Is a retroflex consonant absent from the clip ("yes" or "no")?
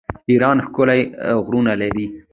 yes